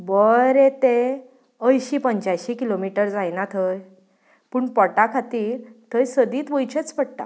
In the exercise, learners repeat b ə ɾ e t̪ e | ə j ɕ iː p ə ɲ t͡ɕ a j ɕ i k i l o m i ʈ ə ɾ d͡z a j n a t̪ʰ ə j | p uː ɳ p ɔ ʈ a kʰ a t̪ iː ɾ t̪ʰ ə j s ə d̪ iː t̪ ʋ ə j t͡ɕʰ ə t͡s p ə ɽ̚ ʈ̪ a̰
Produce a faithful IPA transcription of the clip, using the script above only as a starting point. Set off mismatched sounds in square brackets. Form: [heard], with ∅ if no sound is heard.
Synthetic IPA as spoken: b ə ɾ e t̪ e | ə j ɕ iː p ə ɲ t͡ɕ a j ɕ i k i l o m i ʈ ə ɾ d͡z a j n a t̪ʰ ə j | p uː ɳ p ɔ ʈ a kʰ a t̪ iː ɾ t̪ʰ ə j s ə d̪ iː t̪ ʋ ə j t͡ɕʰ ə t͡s p ə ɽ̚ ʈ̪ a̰